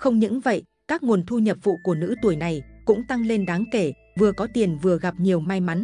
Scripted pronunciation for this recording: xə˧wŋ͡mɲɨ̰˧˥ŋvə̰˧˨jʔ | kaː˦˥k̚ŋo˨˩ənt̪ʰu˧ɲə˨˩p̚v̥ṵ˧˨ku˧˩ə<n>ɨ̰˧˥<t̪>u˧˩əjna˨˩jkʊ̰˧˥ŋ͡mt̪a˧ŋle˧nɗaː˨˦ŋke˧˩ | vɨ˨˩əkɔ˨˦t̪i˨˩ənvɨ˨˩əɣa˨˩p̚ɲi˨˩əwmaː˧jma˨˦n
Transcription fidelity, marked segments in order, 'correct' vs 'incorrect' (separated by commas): correct, correct